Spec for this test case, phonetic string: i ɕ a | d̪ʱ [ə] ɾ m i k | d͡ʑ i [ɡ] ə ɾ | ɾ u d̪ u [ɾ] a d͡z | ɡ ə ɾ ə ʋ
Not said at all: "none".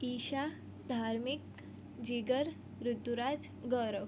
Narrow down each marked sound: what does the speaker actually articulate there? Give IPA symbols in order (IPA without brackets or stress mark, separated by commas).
a, ɡ, ɾ